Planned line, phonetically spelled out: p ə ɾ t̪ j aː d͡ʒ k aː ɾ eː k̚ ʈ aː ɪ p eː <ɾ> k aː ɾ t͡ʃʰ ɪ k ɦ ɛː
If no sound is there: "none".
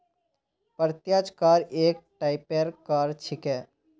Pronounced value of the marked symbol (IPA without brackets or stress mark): ɾ